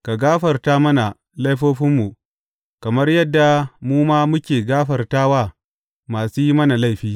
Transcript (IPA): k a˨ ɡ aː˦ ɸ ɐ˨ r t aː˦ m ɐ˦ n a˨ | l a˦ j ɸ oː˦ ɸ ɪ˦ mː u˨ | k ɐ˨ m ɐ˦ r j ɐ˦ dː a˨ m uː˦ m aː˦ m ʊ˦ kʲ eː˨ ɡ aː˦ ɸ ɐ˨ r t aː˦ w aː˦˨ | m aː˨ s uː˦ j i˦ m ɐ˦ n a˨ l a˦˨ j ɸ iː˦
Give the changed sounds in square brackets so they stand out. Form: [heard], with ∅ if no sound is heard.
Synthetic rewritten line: k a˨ ɡ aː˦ ɸ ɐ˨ r t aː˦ m ɐ˦ n a˨ | l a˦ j ɸ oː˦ ɸ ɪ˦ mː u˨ | k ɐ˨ m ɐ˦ r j ɐ˦ dː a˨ m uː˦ m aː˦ m ʊ˦ kʲ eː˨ ɡ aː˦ ɸ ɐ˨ r t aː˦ w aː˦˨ | m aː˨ s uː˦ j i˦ m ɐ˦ n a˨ l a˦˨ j ɸ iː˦

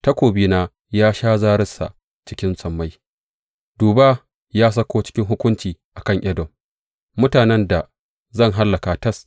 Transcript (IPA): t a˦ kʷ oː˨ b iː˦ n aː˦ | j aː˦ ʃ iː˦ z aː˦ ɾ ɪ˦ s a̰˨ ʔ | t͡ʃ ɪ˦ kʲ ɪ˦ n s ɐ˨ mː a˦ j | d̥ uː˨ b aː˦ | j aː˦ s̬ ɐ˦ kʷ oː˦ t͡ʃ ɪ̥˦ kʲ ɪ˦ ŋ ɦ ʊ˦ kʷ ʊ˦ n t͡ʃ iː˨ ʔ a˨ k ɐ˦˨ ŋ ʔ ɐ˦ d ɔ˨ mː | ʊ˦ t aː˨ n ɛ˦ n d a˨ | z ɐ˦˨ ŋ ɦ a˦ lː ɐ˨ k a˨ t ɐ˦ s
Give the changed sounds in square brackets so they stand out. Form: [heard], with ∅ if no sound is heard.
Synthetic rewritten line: t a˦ kʷ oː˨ b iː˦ n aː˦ | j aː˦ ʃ [aː˦] z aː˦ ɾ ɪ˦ s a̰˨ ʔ | t͡ʃ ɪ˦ kʲ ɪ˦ n s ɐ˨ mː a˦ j | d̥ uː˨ b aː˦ | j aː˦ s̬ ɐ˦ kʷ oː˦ t͡ʃ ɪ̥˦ kʲ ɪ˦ ŋ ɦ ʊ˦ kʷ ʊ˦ n t͡ʃ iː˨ ʔ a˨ k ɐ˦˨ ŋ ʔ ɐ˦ d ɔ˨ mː | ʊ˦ t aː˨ n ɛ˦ n d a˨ | z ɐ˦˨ ŋ ɦ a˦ lː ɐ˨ k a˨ t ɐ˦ s

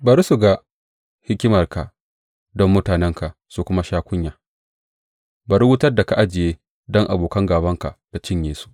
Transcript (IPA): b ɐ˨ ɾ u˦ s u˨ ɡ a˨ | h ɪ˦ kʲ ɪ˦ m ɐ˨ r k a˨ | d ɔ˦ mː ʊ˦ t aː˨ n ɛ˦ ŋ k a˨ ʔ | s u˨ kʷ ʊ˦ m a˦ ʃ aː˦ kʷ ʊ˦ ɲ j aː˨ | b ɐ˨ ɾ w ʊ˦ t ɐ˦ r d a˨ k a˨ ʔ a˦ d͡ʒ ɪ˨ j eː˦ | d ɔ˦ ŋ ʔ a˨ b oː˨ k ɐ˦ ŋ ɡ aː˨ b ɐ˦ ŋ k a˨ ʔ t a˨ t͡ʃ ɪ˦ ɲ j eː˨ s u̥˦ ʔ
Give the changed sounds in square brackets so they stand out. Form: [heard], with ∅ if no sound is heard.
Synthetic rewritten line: b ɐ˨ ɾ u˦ s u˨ ɡ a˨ | h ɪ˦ kʲ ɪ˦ m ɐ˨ r k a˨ | d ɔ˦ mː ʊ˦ t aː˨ n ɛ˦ ŋ k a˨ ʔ | s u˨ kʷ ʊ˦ m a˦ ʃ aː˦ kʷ ʊ˦ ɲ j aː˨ | b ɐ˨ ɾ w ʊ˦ t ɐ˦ r d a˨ k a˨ ʔ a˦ d͡ʒ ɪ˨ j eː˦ | d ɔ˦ ŋ ʔ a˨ b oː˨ k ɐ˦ ŋ ɡ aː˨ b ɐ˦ ŋ k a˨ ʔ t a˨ t͡ʃ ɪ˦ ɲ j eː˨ s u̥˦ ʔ

